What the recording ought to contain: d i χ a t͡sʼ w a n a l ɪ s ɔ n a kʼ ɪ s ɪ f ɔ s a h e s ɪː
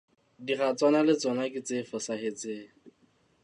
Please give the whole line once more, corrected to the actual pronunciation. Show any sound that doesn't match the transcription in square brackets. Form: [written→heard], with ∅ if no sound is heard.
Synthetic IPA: d i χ a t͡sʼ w a n a l ɪ [s→t͡s] ɔ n a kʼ ɪ [s→t͡s] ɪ f ɔ s a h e [s→t͡s] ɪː